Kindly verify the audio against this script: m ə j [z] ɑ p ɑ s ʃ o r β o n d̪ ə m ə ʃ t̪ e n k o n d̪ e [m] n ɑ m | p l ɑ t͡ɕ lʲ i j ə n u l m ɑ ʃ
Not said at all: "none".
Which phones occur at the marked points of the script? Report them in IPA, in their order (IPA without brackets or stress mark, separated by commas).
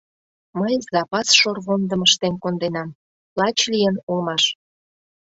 z, none